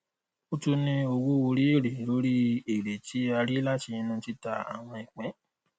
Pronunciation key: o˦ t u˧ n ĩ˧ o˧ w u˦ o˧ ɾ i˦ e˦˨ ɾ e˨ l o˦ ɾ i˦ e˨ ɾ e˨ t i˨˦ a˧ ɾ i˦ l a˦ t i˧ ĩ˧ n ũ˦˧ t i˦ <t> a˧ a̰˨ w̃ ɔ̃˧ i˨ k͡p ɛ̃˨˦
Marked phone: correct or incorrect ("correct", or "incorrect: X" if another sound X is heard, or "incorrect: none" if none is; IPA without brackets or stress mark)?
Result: correct